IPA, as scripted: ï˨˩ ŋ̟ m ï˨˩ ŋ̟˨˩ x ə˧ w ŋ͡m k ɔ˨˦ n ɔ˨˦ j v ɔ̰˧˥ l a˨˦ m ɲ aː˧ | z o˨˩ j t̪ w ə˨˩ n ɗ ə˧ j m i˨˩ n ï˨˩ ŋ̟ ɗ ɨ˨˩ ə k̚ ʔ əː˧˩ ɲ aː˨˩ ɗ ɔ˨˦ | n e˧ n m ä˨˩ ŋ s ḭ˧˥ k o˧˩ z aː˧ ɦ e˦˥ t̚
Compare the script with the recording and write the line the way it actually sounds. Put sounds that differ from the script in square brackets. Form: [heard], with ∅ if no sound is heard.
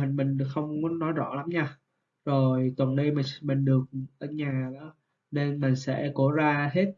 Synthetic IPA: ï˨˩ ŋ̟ m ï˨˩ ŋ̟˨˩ x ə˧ w ŋ͡m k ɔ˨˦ n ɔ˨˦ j [z] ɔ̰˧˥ l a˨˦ m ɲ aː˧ | z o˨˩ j t̪ w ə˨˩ n ɗ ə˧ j m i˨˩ [m] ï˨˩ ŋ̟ ɗ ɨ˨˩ ə k̚ ʔ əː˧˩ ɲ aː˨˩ ɗ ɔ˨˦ | n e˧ n m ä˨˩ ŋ s [ɛ̰˧˥] k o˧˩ z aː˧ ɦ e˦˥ t̚